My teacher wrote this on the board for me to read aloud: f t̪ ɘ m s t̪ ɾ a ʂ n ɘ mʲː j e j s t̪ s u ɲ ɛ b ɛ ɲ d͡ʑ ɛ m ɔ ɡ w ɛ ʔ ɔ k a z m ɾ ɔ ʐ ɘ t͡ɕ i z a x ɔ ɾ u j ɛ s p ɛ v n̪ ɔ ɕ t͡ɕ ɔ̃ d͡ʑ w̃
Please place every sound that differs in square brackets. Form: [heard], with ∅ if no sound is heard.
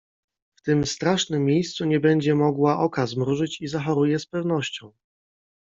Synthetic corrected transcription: f t̪ ɘ m s t̪ ɾ a ʂ n ɘ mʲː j e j s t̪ s u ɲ ɛ b ɛ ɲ d͡ʑ ɛ m ɔ ɡ w [a] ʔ ɔ k a z m ɾ [u] ʐ ɘ t͡ɕ i z a x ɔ ɾ u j ɛ s p ɛ v n̪ ɔ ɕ t͡ɕ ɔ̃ [∅] w̃

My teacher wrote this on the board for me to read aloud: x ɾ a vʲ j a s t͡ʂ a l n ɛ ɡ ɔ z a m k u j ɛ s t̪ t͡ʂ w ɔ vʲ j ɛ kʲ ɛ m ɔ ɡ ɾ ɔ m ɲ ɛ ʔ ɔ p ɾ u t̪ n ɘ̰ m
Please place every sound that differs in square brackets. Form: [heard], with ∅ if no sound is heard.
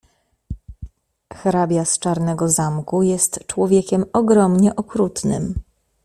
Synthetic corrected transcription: x ɾ a [bʲ] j a s t͡ʂ a [ɾ] n ɛ ɡ ɔ z a m k u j ɛ s t̪ t͡ʂ w ɔ vʲ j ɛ kʲ ɛ m ɔ ɡ ɾ ɔ m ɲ ɛ ʔ ɔ [k] ɾ u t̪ n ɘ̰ m

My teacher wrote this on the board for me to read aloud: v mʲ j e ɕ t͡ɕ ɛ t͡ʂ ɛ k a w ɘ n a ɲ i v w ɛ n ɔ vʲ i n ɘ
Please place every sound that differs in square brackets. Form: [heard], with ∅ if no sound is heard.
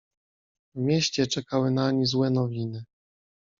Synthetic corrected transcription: v mʲ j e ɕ t͡ɕ ɛ t͡ʂ ɛ k a w ɘ n a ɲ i [z] w ɛ n ɔ vʲ i n ɘ

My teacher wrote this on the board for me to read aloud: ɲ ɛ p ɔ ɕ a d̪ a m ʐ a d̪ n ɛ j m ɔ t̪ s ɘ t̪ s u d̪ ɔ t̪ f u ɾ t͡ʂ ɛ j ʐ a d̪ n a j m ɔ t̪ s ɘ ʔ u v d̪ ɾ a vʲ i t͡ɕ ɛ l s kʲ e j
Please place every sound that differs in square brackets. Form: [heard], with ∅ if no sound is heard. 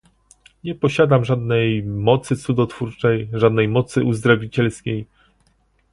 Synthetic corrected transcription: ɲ ɛ p ɔ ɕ a d̪ a m ʐ a d̪ n ɛ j m ɔ t̪ s ɘ t̪ s u d̪ ɔ t̪ f u ɾ t͡ʂ ɛ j ʐ a d̪ n [ɛ] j m ɔ t̪ s ɘ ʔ u [z] d̪ ɾ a vʲ i t͡ɕ ɛ l s kʲ e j

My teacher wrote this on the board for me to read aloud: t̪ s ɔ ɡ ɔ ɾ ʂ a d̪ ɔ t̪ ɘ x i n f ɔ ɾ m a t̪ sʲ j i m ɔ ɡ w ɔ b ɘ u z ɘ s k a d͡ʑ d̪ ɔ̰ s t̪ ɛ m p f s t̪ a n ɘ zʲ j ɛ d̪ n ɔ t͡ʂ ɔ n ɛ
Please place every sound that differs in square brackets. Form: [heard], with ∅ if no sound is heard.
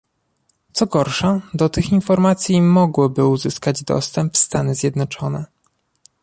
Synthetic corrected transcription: t̪ s ɔ ɡ ɔ ɾ ʂ a d̪ ɔ t̪ ɘ x i n f ɔ ɾ m a t̪ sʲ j i m ɔ ɡ w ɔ b ɘ u z ɘ s k a d͡ʑ d̪ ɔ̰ s t̪ ɛ m p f s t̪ a n ɘ zʲ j ɛ d̪ n ɔ t͡ʂ ɔ n ɛ

